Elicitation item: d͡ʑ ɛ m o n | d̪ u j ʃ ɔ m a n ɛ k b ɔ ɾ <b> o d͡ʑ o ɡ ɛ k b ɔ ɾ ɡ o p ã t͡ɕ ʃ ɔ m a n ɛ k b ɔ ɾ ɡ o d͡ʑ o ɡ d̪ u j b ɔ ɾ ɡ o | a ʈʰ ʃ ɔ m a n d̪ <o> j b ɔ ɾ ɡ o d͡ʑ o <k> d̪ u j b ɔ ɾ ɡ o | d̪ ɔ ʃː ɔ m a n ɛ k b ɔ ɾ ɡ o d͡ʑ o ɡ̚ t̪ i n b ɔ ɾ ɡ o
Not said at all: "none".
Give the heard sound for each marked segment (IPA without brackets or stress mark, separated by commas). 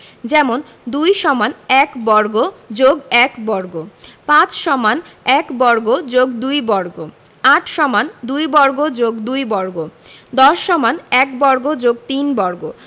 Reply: ɡ, u, ɡ